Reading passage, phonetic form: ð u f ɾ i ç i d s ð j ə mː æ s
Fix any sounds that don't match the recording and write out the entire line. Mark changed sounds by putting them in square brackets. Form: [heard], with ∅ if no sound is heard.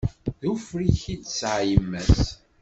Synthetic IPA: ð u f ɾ i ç i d s [ʕ] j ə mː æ s